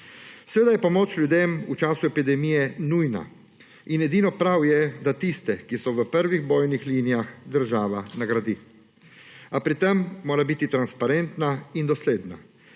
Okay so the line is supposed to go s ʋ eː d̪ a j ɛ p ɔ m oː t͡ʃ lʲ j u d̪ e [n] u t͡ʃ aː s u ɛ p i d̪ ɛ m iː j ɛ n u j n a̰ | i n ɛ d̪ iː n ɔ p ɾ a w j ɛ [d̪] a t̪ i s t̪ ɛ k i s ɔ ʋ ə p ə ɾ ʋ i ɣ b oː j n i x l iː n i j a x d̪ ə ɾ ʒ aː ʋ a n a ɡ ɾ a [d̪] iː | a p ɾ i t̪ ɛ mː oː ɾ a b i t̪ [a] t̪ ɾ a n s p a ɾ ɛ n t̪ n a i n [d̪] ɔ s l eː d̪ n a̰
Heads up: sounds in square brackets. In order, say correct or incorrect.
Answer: incorrect: m, correct, correct, incorrect: i, correct

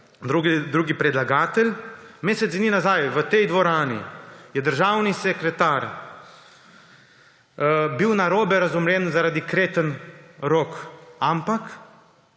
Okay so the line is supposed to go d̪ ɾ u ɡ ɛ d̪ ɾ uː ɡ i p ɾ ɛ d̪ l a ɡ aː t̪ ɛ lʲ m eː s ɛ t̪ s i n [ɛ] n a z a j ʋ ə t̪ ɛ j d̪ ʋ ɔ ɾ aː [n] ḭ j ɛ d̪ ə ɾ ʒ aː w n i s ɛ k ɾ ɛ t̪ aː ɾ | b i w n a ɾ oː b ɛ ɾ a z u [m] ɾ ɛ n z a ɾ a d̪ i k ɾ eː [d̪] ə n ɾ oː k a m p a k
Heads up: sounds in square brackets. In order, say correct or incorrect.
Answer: incorrect: i, correct, correct, incorrect: t̪

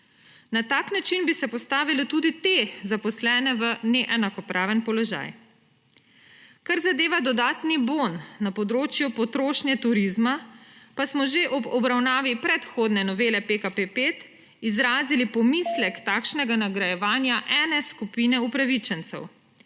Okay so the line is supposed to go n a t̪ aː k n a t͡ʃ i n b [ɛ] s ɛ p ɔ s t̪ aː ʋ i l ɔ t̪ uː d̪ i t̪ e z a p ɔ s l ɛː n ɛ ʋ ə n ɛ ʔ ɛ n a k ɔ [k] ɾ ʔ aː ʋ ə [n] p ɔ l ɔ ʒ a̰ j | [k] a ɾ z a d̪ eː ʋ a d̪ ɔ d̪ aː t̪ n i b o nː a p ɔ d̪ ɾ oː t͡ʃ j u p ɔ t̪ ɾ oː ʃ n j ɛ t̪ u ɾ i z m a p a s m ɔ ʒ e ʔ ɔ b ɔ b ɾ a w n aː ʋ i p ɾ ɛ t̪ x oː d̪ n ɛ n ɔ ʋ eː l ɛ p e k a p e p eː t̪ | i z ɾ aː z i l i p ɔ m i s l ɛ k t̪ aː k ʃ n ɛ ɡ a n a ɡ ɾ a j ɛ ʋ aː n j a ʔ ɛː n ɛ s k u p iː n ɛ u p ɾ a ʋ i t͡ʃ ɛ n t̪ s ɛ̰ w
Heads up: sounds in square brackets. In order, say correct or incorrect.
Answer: incorrect: i, incorrect: p, correct, correct

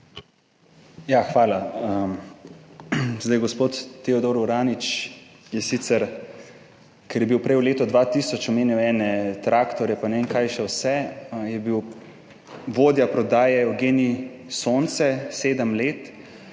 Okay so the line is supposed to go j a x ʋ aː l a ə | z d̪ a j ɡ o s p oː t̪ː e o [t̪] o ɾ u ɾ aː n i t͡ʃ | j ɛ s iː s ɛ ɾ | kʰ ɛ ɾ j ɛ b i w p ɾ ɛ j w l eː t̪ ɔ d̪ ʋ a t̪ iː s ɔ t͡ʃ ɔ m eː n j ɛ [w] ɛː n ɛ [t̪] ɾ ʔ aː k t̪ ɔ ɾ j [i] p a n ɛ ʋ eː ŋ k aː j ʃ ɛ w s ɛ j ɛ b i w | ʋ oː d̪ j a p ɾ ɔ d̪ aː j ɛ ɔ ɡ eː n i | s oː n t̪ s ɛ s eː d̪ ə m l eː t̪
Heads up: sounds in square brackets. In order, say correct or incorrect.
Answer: incorrect: d̪, correct, correct, incorrect: ɛ

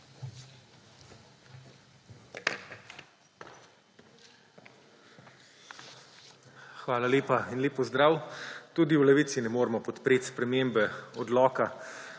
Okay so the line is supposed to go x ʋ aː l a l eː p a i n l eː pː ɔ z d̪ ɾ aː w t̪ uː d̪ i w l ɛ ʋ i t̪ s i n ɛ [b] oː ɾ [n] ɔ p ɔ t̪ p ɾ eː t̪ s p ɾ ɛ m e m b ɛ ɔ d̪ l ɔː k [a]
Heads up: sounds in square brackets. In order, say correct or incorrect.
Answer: incorrect: m, incorrect: m, correct

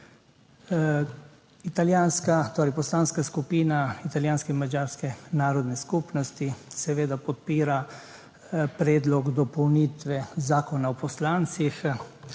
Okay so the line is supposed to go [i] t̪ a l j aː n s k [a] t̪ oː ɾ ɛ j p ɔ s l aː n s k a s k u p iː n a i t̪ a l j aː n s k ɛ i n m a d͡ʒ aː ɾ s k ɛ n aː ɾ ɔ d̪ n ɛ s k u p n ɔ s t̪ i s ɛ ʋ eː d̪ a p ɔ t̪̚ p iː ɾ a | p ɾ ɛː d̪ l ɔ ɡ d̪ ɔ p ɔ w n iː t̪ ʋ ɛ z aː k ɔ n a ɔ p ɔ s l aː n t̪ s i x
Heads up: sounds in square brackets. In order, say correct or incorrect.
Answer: correct, correct

